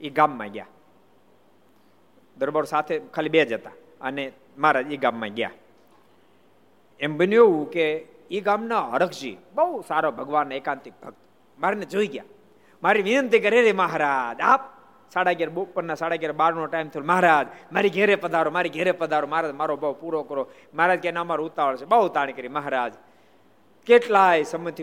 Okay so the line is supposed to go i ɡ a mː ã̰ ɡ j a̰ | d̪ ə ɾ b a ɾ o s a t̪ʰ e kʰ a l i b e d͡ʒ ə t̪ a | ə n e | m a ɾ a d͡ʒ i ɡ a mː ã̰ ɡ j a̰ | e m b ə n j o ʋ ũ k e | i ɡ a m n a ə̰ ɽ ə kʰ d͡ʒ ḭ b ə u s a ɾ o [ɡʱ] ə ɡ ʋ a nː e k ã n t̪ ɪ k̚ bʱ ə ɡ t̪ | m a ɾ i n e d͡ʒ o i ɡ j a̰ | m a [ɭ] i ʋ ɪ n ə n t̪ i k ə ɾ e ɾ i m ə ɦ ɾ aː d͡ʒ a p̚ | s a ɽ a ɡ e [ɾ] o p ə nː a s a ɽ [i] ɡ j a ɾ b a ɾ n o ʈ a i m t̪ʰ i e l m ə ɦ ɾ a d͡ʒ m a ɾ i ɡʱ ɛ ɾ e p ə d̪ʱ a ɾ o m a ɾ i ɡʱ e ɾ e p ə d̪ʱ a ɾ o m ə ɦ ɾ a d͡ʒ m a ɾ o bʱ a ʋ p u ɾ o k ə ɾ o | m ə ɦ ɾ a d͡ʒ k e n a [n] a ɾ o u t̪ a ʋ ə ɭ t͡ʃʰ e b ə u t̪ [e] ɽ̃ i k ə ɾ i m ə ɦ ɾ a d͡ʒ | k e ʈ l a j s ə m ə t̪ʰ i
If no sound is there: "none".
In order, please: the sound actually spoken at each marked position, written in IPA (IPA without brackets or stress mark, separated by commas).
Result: bʱ, ɾ, ɾ, a, m, a